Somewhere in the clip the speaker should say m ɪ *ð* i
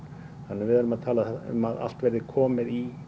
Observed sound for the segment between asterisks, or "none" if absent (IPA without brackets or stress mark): ð